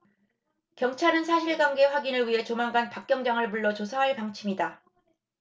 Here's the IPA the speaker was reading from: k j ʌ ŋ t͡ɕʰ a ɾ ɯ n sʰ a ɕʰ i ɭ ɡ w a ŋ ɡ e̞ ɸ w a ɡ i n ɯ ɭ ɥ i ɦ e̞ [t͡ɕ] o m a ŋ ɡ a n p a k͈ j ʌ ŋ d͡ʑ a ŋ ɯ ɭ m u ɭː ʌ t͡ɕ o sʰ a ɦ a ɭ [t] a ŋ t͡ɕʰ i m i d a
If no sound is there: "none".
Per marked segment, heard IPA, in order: t͡ɕ, p

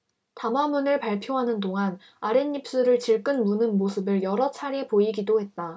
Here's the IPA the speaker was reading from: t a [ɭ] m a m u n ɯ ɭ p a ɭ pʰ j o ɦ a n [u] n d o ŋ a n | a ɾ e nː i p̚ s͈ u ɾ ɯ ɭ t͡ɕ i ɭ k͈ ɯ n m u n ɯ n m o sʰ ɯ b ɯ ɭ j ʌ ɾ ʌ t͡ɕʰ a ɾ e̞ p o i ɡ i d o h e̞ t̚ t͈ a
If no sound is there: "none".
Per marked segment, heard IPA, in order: none, ɯ

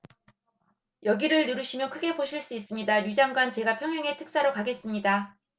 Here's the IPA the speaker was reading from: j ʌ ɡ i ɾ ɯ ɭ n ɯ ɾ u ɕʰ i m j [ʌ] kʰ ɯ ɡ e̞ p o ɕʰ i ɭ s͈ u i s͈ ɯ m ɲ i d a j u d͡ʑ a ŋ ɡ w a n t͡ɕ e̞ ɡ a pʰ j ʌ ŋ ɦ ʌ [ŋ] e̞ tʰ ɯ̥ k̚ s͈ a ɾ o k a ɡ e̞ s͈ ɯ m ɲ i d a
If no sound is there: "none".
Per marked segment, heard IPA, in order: ʌ, ŋ

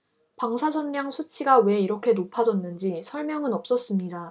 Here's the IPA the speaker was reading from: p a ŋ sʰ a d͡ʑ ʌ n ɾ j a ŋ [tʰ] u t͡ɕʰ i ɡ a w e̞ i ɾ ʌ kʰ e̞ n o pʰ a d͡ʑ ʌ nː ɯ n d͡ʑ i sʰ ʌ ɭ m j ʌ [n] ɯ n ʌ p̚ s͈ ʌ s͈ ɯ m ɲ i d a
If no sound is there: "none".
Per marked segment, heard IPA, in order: sʰ, ŋ

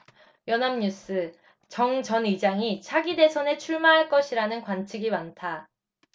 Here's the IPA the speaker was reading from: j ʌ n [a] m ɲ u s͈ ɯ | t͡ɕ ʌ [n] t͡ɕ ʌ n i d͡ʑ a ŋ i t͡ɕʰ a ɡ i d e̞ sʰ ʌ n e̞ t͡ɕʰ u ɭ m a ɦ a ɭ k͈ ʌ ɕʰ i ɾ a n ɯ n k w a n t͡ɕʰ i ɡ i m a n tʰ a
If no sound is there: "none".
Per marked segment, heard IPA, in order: a, ŋ

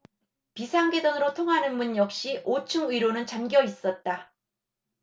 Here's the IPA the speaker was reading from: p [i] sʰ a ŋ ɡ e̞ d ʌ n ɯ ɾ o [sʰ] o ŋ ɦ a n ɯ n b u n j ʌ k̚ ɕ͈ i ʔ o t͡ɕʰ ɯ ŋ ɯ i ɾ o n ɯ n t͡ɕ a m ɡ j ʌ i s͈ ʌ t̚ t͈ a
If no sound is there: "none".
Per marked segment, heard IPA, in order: i, tʰ

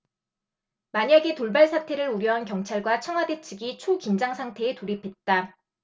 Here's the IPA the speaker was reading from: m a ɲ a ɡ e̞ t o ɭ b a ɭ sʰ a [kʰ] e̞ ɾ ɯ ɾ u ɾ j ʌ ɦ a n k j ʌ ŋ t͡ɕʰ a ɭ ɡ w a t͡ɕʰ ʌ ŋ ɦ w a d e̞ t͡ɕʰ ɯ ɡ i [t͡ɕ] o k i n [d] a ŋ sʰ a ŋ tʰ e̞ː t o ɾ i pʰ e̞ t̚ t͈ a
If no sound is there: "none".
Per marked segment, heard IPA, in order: tʰ, t͡ɕʰ, d͡ʑ

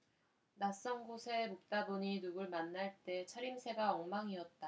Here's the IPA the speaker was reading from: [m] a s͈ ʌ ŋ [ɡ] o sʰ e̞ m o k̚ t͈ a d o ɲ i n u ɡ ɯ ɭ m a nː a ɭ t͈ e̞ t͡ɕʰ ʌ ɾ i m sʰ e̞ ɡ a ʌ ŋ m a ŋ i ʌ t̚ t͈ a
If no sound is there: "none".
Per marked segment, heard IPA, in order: n, ɡ

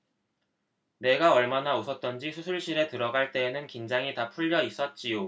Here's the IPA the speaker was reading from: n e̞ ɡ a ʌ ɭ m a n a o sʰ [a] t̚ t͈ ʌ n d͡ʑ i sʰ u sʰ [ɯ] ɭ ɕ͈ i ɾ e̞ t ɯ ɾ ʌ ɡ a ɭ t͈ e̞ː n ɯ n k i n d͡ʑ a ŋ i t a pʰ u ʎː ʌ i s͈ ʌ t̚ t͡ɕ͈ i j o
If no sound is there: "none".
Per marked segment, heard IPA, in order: ʌ, u

